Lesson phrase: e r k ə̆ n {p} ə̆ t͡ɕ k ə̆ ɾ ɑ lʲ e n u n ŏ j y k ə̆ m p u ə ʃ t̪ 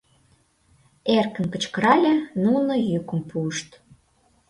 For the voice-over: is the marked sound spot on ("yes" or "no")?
no